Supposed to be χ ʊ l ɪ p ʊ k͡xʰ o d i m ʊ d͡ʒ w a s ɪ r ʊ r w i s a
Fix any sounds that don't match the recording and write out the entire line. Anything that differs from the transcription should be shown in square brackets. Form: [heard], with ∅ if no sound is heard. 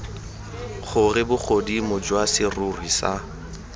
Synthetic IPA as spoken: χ ʊ [r] ɪ [b] ʊ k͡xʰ o d i m ʊ d͡ʒ w a s ɪ r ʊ r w i s a